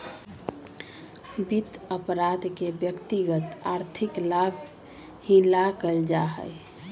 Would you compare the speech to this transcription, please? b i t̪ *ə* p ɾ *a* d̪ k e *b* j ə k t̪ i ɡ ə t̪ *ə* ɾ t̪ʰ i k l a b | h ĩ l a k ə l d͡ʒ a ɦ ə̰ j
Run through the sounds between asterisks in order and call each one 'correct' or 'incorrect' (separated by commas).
correct, correct, correct, incorrect